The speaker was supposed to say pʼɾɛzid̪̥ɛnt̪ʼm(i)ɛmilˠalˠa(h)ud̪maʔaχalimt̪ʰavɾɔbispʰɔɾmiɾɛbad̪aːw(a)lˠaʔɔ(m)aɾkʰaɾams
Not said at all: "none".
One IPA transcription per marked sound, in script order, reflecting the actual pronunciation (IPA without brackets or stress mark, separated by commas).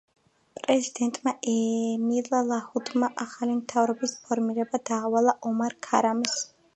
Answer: a, h, a, m